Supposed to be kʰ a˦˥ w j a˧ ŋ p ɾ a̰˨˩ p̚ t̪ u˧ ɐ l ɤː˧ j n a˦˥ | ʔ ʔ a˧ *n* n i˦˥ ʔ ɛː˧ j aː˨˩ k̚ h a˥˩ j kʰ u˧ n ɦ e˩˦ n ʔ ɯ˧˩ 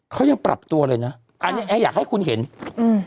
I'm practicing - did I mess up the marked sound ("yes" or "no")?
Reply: no